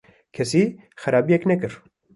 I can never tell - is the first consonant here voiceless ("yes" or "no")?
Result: yes